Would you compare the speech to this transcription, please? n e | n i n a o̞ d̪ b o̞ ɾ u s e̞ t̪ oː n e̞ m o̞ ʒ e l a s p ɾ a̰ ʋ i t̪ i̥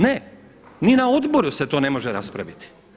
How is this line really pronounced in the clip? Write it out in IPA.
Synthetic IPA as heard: n e | n i n a o̞ d̪ b o̞ ɾ u s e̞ t̪ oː n e̞ m o̞ ʒ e ɾ a s p ɾ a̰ ʋ i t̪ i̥